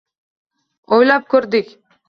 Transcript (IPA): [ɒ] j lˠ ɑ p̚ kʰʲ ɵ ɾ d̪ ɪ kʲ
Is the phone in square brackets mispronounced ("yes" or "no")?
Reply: yes